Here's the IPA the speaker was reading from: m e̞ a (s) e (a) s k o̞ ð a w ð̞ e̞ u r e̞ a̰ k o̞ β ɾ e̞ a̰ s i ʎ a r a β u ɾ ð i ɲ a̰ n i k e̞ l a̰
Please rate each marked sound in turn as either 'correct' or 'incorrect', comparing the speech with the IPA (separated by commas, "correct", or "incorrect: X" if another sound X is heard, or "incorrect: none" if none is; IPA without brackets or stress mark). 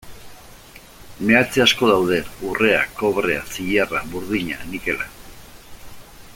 incorrect: t͡s, correct